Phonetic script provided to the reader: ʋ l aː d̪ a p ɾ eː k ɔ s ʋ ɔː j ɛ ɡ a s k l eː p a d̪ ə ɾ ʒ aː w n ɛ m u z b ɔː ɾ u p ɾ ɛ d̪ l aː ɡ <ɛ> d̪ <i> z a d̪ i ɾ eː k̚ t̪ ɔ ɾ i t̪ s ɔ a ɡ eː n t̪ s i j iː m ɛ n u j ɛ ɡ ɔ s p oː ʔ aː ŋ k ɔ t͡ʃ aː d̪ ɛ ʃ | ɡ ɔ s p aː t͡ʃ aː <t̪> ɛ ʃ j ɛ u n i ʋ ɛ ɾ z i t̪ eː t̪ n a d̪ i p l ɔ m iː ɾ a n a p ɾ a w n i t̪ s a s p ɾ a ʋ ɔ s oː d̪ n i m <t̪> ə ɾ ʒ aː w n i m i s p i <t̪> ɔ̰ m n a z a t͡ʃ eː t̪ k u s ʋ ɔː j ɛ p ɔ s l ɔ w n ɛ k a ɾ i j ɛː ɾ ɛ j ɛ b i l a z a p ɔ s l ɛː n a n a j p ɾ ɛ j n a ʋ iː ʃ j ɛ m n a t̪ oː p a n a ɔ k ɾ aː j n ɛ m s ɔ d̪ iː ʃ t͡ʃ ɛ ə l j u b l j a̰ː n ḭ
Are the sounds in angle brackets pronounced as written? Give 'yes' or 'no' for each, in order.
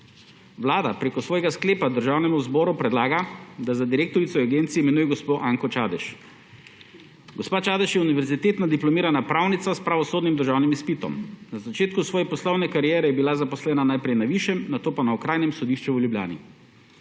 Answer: no, no, no, no, yes

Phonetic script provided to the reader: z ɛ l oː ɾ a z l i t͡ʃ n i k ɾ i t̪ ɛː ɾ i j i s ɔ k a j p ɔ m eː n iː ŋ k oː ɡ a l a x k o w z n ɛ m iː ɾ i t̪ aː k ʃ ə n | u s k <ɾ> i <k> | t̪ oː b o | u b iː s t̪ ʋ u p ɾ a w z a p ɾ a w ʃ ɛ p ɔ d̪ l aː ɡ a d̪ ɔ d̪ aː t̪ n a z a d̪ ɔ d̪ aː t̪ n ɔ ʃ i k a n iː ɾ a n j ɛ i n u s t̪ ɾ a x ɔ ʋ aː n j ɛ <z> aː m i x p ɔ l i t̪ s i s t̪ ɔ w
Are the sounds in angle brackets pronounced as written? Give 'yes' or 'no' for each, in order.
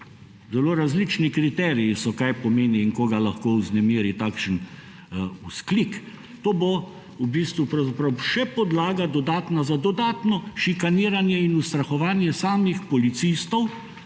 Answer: no, yes, no

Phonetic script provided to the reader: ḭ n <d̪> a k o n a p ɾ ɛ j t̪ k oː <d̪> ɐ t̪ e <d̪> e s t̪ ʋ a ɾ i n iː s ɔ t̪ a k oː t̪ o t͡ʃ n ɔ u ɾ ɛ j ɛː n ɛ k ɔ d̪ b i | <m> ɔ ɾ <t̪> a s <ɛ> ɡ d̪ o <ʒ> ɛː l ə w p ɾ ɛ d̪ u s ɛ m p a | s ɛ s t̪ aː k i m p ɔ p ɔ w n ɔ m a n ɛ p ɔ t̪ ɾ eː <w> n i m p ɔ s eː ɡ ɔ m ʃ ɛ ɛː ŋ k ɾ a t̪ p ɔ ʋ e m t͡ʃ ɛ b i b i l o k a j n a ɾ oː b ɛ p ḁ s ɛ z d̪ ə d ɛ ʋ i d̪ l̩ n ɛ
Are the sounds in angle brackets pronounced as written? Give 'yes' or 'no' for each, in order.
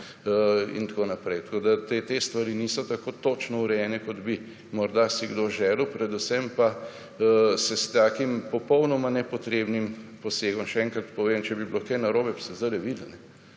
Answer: no, yes, no, yes, no, no, yes, no

